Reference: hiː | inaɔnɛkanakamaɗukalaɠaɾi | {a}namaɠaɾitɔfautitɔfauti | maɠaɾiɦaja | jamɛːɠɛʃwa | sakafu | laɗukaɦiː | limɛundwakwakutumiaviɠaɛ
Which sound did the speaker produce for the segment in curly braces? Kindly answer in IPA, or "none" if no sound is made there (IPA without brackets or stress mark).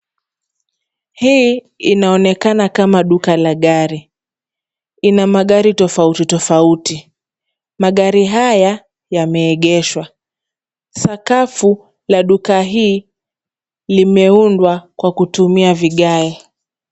i